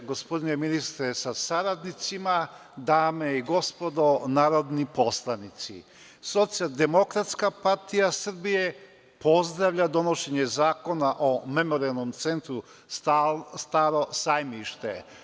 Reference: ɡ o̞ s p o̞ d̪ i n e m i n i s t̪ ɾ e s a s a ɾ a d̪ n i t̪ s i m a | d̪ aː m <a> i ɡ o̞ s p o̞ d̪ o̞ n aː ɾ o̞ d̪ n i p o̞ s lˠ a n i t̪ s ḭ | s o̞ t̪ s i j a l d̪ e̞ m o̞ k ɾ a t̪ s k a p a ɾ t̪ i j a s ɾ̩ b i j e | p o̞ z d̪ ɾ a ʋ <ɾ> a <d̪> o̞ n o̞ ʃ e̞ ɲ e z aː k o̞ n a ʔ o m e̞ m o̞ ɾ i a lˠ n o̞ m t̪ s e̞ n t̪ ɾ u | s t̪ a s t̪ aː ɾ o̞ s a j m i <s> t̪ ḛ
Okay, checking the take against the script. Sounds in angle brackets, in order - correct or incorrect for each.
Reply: incorrect, incorrect, correct, incorrect

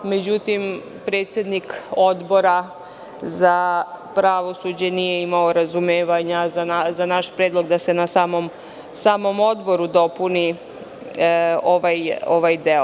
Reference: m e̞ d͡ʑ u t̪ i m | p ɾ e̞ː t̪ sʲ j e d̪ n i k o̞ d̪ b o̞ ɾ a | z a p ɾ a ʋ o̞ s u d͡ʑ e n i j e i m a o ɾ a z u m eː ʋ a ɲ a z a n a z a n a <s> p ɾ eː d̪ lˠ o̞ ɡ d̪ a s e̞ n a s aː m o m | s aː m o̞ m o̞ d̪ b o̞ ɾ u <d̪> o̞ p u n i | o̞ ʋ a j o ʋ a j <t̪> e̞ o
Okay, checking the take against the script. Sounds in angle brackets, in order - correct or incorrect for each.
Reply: incorrect, correct, incorrect

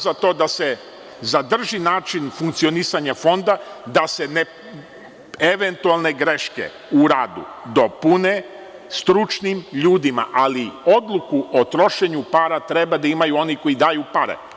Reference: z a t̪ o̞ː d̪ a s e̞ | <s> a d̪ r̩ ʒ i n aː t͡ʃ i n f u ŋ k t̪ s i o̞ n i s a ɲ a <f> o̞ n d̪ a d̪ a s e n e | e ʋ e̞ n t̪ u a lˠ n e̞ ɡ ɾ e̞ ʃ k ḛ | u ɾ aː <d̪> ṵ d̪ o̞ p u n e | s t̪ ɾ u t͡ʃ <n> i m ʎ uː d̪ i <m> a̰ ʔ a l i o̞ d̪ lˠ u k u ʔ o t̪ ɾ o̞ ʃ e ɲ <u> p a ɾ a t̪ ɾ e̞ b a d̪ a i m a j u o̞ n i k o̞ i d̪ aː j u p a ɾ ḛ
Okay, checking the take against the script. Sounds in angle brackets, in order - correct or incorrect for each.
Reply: incorrect, correct, correct, correct, correct, correct

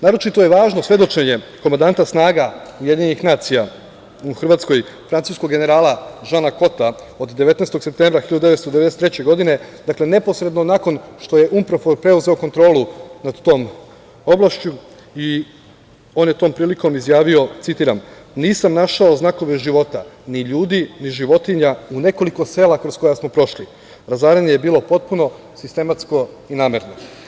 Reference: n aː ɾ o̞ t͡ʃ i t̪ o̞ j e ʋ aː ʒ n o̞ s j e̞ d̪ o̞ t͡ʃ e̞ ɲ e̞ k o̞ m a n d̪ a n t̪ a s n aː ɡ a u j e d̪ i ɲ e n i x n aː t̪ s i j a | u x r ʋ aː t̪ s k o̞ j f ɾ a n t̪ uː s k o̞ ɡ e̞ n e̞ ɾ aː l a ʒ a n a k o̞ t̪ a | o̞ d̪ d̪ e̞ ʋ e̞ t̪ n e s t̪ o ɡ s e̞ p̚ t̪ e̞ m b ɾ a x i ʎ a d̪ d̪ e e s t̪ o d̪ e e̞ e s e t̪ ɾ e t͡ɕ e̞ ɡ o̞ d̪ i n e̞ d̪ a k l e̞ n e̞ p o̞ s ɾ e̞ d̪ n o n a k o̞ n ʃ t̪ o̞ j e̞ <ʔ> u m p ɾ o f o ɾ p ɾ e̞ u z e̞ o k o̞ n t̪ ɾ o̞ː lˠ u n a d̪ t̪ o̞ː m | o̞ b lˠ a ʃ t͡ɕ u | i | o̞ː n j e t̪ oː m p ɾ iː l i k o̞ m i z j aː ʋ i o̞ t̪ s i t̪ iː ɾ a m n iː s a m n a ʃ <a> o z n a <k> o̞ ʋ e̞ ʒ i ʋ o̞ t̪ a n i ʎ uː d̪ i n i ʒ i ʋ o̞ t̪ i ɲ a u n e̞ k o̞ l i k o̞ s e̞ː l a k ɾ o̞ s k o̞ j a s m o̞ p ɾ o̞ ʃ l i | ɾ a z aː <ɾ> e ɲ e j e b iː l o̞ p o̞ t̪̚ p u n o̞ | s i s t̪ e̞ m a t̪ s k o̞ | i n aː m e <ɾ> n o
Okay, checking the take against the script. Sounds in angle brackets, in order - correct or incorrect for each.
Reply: correct, correct, correct, correct, correct

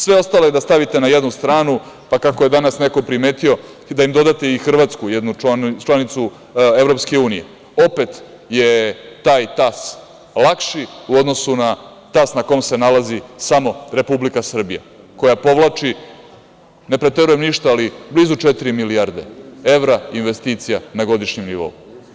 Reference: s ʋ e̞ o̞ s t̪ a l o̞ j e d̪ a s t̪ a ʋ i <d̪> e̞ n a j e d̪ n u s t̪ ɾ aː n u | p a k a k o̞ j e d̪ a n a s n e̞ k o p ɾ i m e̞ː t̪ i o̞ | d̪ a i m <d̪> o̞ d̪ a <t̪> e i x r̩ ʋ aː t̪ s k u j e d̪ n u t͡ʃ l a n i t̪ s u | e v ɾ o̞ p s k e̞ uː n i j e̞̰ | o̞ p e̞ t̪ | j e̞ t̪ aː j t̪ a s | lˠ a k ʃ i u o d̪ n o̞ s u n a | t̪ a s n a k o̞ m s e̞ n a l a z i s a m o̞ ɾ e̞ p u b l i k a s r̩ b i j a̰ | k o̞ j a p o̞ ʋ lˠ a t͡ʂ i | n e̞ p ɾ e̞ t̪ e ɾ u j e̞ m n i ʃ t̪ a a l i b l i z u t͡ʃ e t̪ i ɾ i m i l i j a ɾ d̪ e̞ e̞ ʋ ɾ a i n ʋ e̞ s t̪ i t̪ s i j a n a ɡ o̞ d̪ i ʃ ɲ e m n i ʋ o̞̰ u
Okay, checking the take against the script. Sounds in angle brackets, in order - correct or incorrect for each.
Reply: incorrect, correct, correct

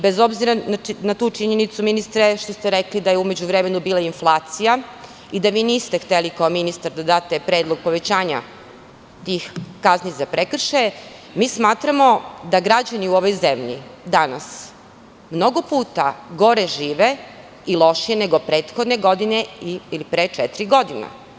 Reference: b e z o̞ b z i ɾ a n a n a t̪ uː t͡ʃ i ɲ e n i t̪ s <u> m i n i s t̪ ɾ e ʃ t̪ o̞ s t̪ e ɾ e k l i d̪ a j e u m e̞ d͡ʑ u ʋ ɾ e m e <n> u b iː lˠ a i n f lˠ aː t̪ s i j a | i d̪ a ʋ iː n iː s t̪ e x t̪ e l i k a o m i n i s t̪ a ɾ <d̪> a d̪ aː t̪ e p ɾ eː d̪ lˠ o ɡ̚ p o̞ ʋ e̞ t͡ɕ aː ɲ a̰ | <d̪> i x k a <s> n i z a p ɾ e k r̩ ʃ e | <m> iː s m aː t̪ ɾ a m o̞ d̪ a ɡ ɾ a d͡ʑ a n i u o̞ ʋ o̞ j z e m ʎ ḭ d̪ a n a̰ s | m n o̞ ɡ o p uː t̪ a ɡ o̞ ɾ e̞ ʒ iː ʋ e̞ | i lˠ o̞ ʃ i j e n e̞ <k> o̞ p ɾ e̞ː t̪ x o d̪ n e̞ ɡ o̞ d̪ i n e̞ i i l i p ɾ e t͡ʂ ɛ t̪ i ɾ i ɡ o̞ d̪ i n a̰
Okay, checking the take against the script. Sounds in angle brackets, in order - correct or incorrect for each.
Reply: correct, correct, correct, incorrect, incorrect, correct, incorrect

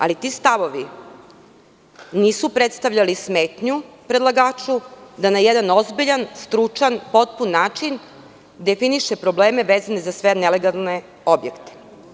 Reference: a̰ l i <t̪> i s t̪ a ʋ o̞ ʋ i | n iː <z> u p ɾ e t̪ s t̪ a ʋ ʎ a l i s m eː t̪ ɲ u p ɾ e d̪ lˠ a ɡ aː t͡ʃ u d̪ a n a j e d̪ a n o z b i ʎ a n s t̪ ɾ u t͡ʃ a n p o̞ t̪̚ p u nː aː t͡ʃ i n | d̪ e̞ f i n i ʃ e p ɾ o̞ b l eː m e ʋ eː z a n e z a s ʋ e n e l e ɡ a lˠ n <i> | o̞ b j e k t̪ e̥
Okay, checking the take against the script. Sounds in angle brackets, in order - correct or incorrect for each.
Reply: correct, incorrect, incorrect

